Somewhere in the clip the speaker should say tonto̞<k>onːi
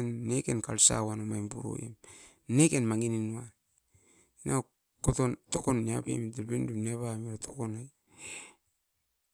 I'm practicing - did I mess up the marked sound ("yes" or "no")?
no